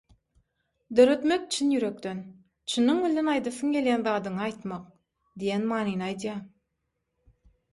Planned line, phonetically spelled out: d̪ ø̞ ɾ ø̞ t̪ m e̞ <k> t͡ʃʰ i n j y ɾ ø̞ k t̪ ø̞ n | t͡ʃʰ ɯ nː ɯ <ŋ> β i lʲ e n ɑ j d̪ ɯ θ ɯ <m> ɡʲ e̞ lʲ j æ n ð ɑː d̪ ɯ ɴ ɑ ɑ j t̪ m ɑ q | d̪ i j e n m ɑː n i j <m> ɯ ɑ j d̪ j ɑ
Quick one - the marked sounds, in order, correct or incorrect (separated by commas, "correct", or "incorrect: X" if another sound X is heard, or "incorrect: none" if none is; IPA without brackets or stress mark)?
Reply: correct, correct, incorrect: ŋ, incorrect: n